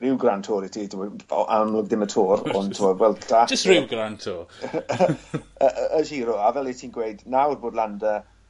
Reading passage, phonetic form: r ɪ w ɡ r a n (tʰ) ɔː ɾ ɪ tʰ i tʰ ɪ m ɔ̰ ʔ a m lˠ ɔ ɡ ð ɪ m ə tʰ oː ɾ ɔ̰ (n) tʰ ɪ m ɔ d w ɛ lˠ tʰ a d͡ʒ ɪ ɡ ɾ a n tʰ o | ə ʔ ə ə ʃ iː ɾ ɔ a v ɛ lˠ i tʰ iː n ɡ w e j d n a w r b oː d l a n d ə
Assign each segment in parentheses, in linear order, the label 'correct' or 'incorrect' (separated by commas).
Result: correct, correct